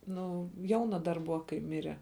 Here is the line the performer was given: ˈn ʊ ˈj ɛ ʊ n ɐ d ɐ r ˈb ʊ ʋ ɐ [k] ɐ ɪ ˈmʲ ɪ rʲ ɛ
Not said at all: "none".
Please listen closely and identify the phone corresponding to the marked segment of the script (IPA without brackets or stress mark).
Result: k